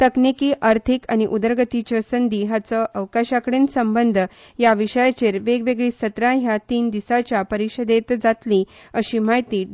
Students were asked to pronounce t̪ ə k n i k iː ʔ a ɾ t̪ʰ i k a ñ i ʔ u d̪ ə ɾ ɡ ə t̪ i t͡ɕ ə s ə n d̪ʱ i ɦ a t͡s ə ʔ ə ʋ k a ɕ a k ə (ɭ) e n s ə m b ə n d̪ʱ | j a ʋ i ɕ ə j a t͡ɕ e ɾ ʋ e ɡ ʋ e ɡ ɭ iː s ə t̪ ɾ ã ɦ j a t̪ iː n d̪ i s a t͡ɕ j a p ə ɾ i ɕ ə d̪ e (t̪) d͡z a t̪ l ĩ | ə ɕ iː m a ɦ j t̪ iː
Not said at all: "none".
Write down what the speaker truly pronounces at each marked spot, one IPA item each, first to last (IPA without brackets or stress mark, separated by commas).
ɽ, t̪